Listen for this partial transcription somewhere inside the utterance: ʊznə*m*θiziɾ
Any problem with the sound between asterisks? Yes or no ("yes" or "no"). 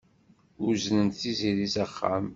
yes